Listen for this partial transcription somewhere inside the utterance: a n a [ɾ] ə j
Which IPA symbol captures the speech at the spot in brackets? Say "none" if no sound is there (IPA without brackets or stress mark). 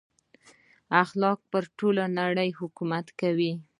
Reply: ɽ